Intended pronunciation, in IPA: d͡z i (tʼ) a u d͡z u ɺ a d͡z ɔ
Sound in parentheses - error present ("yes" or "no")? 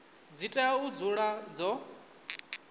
no